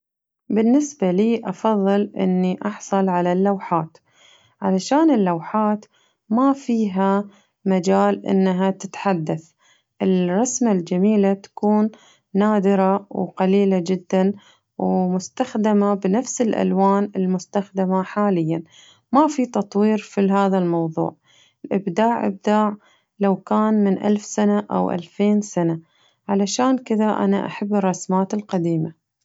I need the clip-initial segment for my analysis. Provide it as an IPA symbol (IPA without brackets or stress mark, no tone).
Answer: b